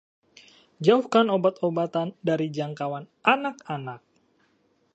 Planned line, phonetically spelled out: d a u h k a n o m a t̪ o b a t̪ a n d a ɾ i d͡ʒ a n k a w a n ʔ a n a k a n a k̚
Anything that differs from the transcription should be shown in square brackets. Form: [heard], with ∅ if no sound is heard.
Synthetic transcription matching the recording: [d͡ʒ] a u h k a n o [b] a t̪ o b a t̪ a n d a ɾ i d͡ʒ a [ŋ] k a w a n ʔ a n a k a n a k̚